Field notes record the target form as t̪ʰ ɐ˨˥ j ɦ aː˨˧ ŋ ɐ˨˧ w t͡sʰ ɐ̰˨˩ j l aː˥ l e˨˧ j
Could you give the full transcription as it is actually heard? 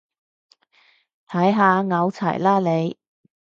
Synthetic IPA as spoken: t̪ʰ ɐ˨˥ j ɦ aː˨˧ ŋ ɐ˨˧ w t͡sʰ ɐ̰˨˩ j l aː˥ l e˨˧ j